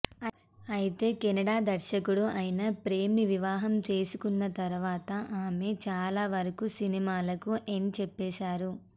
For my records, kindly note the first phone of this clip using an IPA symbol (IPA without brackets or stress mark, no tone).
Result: ɐ